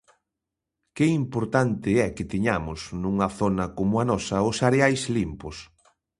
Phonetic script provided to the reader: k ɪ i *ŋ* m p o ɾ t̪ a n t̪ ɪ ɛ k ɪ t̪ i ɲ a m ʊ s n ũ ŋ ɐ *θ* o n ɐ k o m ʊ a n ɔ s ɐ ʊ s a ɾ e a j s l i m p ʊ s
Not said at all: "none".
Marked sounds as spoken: none, θ

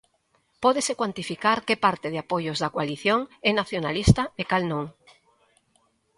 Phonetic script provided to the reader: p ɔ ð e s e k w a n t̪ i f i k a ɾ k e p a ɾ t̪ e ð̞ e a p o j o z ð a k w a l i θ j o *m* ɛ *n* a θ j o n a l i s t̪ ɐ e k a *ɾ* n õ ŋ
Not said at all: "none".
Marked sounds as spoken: ŋ, n, l

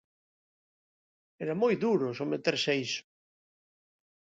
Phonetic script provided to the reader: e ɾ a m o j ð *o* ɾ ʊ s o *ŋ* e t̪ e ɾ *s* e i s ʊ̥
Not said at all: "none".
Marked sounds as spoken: u, m, s

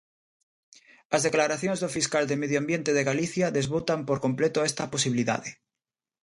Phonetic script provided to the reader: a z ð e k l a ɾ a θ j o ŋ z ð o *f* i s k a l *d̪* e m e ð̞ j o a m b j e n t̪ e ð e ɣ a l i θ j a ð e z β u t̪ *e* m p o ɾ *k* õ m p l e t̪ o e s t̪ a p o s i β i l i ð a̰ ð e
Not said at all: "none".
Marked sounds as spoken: f, d̪, a, k

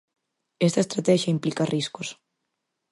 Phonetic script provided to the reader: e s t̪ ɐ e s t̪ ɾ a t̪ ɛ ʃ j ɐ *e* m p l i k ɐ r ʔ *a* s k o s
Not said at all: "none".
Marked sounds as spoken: i, i

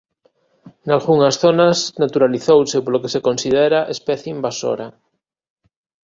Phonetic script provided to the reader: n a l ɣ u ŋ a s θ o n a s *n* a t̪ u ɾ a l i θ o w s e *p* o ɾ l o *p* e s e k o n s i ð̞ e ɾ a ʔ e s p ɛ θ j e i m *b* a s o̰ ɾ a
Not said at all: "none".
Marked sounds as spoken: n, p, k, b

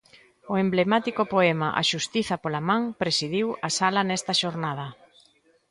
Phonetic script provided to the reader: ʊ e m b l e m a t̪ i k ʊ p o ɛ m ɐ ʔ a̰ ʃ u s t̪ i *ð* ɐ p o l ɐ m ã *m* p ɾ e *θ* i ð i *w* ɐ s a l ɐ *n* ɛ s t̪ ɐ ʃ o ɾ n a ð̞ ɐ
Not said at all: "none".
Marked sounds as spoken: θ, ŋ, s, w, n

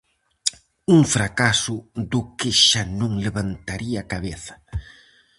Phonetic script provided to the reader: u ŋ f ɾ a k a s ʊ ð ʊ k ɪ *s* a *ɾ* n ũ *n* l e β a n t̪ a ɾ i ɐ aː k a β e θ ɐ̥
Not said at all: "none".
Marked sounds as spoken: ʃ, none, ŋ

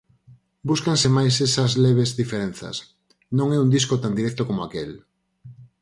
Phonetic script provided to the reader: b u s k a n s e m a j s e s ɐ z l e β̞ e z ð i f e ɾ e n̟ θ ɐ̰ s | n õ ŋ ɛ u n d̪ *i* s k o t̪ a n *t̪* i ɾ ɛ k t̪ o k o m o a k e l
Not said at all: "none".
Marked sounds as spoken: i, d̪

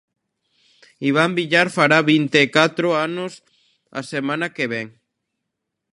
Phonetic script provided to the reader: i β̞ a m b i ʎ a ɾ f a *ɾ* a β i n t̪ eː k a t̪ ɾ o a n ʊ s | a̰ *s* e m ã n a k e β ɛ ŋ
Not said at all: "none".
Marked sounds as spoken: ɾ, s

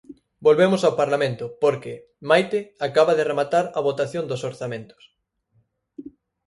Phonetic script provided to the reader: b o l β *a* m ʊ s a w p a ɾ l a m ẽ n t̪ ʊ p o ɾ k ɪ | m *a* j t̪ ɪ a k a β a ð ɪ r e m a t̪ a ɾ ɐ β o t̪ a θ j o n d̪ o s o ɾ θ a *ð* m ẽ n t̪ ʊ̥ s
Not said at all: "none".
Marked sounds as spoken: e, a, none

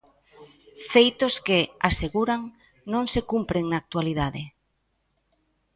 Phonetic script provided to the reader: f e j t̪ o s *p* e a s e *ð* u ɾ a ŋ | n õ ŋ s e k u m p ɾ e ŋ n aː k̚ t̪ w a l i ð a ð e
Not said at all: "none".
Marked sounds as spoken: k, ɣ

